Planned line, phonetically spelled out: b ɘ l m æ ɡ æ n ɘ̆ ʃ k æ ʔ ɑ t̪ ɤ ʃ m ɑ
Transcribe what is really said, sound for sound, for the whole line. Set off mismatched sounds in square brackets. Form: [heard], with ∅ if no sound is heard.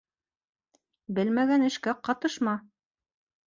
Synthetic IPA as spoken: b ɘ l m æ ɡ æ n ɘ̆ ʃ k æ [q] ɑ t̪ ɤ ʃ m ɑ